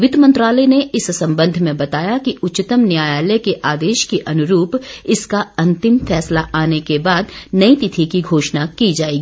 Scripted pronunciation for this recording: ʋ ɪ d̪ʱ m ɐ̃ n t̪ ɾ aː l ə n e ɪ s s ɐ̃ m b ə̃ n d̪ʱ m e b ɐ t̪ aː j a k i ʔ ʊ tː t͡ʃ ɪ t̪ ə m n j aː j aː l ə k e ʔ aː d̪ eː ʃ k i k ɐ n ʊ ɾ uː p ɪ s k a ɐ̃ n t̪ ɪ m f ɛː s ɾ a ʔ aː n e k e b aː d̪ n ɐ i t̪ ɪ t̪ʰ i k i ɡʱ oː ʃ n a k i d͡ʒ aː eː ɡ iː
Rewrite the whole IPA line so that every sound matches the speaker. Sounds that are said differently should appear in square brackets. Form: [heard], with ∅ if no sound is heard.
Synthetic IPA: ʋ ɪ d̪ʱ m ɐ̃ n t̪ ɾ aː l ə n e ɪ s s ɐ̃ m b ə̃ n d̪ʱ m [ẽ] b ɐ t̪ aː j a k i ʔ ʊ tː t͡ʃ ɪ t̪ ə m n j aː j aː l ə k e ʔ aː d̪ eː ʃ k i [ʔ] ɐ n ʊ ɾ uː p ɪ s k a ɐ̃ n t̪ ɪ m f ɛː s [l] a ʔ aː n e k e b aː d̪ n ɐ i t̪ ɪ t̪ʰ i k i ɡʱ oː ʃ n a k i d͡ʒ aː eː ɡ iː